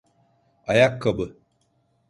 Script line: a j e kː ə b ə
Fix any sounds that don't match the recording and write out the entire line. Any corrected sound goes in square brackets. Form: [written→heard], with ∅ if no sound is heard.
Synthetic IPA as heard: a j [e→a] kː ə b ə